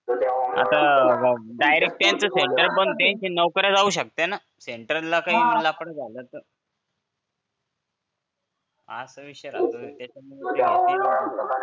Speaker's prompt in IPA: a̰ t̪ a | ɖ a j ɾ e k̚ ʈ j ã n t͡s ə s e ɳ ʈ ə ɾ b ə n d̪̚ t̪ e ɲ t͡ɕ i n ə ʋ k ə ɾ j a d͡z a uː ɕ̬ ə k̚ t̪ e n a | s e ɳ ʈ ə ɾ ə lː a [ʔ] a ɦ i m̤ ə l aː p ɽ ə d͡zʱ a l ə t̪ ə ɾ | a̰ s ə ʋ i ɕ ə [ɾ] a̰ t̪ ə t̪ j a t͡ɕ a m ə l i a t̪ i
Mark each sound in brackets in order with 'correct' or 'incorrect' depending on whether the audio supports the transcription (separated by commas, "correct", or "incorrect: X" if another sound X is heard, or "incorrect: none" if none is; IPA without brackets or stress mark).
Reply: incorrect: k, correct